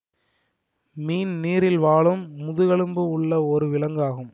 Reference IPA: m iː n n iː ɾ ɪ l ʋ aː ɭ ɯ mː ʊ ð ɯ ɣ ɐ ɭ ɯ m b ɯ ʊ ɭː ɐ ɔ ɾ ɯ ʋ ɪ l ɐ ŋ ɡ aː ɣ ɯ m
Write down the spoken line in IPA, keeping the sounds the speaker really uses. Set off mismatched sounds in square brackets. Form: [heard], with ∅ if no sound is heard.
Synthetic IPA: m iː n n iː ɾ ɪ l ʋ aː ɭ ɯ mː ʊ ð ɯ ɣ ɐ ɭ ɯ m b ɯ ʊ ɭː ɐ ɔ ɾ ɯ ʋ ɪ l ɐ ŋ ɡ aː ɣ ɯ m